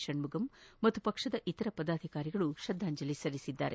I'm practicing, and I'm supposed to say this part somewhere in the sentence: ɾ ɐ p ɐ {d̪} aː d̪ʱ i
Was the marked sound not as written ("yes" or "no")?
no